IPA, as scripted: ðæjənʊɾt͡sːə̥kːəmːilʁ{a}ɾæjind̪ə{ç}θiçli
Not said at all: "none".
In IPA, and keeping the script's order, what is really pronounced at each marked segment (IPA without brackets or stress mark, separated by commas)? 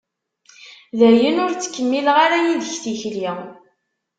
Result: a, ç